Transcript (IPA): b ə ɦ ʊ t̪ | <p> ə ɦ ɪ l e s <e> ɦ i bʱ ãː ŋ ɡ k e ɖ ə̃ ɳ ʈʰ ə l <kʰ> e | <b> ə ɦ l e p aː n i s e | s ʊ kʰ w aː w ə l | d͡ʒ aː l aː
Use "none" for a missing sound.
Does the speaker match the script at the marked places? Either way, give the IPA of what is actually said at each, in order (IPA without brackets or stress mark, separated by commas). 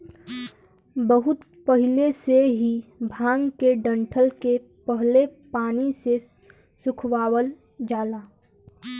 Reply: p, e, k, p